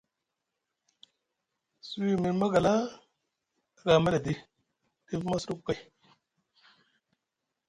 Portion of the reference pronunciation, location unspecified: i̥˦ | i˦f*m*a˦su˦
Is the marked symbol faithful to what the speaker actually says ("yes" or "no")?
yes